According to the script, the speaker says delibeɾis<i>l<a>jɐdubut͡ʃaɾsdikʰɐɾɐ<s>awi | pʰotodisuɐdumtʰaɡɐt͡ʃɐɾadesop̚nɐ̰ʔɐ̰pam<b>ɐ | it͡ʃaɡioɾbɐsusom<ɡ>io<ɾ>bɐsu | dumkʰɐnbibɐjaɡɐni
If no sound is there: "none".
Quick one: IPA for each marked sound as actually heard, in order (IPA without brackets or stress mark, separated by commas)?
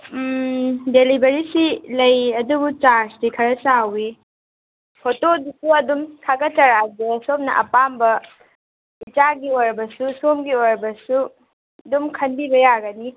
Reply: i, ɐ, s, b, ɡ, ɾ